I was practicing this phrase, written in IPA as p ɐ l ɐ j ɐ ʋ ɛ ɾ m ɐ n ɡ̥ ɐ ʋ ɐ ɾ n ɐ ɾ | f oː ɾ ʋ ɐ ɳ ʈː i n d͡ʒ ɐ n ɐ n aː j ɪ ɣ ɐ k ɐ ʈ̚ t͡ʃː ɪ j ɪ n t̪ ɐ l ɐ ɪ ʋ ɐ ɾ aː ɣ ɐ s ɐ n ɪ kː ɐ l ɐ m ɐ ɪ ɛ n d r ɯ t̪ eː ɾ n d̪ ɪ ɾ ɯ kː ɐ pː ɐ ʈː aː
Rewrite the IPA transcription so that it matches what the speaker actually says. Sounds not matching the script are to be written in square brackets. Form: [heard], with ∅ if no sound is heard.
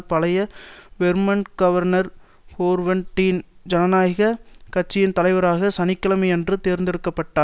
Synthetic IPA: p ɐ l ɐ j ɐ ʋ ɛ ɾ m ɐ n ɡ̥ ɐ ʋ ɐ ɾ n ɐ ɾ | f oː ɾ ʋ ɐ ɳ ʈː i n d͡ʒ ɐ n ɐ n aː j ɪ ɣ ɐ k ɐ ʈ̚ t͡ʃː ɪ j ɪ n t̪ ɐ l ɐ ɪ ʋ ɐ ɾ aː ɣ ɐ s ɐ n ɪ kː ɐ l ɐ m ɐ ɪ ɛ n d r ɯ t̪ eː ɾ n d̪ ɪ ɾ ɯ kː ɐ pː ɐ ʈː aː